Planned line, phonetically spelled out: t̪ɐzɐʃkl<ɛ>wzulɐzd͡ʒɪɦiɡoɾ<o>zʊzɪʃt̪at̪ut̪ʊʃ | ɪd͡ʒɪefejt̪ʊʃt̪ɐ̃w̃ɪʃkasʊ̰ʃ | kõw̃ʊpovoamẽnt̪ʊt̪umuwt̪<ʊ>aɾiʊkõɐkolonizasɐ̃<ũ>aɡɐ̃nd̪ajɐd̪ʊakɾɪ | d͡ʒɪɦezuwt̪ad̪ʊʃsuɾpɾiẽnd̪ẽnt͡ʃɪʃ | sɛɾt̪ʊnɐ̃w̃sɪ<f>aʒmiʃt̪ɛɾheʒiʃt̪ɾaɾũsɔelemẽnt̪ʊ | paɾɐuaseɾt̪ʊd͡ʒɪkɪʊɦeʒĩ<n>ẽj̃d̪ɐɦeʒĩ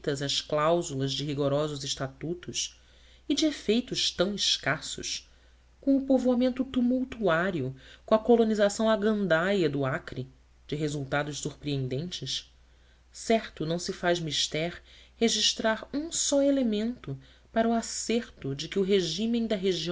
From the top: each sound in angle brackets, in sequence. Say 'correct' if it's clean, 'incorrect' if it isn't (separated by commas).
incorrect, incorrect, incorrect, incorrect, correct, incorrect